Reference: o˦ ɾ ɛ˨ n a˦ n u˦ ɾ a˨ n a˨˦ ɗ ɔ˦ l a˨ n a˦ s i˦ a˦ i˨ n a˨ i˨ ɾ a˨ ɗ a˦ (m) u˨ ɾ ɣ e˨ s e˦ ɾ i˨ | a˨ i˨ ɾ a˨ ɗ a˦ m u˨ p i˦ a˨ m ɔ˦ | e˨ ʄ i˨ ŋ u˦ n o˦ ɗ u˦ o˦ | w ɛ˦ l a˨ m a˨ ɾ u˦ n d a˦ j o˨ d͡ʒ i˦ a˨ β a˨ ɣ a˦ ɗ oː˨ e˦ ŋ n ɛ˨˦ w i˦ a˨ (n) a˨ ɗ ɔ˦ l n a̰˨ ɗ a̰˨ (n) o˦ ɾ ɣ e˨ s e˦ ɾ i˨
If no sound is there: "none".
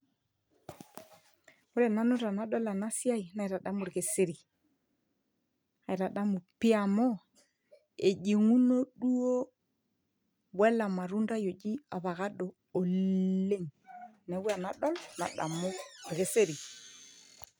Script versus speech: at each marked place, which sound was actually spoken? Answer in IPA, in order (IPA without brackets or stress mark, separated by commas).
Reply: m, n, m